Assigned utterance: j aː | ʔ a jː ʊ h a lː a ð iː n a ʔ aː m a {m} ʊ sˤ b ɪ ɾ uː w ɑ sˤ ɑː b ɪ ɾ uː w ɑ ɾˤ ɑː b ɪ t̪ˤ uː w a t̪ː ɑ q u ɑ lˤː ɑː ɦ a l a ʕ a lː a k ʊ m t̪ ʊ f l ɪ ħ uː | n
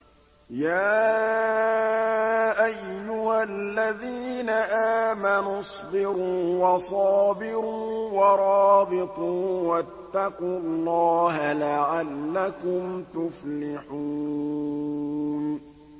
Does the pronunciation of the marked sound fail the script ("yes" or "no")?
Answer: yes